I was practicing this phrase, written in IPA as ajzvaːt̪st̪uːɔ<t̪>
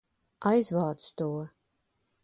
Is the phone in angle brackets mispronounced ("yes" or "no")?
yes